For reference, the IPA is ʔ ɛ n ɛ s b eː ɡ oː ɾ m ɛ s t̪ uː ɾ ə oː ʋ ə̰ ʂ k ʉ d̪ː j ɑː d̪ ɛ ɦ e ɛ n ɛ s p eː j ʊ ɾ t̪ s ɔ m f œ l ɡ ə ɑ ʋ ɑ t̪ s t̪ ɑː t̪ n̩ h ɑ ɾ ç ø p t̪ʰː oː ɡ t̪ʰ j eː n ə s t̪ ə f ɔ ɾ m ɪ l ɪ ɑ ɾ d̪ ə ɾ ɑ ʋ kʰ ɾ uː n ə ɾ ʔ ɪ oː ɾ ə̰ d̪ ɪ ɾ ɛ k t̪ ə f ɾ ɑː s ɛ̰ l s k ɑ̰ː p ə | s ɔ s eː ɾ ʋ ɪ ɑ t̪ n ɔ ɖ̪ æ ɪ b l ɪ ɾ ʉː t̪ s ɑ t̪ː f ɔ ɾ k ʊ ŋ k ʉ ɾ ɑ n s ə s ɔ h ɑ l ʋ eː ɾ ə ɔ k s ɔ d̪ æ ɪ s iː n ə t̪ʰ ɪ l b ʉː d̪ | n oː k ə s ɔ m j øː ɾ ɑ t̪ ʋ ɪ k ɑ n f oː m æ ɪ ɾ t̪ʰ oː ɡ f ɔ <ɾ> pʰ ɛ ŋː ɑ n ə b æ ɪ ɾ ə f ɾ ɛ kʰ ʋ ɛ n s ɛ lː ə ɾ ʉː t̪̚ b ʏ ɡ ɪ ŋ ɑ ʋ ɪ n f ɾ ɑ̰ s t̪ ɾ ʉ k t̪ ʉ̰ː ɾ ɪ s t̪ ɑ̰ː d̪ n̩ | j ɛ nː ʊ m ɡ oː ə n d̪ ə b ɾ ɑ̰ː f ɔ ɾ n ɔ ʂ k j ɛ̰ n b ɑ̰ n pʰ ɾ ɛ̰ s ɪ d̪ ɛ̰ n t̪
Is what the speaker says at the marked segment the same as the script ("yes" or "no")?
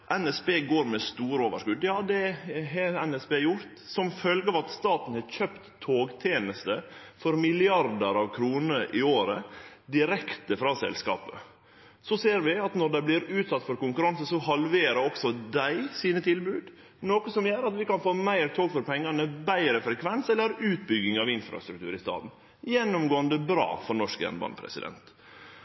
yes